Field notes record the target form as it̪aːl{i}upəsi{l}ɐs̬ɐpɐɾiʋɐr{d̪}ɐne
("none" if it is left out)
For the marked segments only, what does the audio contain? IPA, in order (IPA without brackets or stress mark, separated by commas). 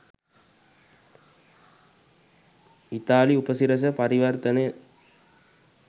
i, ɾ, t̪